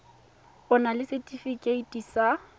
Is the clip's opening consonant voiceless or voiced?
voiced